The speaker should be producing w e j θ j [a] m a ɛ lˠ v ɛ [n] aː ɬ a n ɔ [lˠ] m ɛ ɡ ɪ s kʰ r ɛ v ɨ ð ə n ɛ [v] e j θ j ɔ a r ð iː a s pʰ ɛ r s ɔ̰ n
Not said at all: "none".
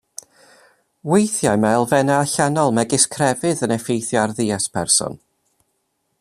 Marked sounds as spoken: a, n, lˠ, f

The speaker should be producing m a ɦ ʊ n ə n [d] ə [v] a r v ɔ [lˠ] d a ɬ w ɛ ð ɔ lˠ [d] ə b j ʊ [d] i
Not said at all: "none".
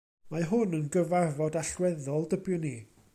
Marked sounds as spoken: ɡ, v, none, d, n

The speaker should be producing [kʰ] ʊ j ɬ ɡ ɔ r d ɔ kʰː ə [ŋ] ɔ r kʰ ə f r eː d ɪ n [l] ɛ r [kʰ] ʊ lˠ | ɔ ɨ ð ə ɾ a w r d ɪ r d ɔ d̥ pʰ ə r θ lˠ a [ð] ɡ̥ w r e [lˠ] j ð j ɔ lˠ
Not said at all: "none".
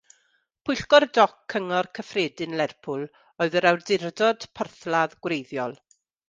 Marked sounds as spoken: pʰ, ŋ, l, pʰ, ð, none

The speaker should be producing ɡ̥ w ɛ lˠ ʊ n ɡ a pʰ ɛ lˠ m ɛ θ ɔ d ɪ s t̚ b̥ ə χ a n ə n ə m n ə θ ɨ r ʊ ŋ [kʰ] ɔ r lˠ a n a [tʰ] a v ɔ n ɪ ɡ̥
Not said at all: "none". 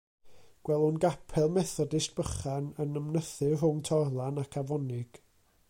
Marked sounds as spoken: tʰ, kʰ

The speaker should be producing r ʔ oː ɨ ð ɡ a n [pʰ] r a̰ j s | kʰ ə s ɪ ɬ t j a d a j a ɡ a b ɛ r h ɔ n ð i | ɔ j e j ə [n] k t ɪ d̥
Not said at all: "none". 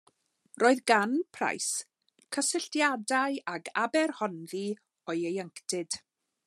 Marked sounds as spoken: pʰ, ŋ

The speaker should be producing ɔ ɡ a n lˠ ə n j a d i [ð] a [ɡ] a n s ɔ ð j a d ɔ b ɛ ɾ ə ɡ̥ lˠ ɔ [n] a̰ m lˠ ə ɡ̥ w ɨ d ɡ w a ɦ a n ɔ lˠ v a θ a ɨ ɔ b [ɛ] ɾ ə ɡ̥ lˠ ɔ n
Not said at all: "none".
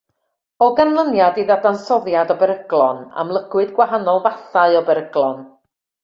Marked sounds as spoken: ð, d, n, ɛ

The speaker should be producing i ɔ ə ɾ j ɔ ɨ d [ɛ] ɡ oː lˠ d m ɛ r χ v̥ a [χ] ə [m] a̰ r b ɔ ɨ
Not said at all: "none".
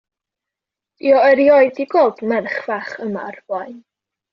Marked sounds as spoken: i, χ, m

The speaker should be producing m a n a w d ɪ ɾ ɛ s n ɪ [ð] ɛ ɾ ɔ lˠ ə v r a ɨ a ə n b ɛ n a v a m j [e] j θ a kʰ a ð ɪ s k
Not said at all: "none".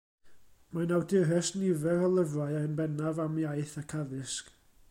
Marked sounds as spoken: v, a

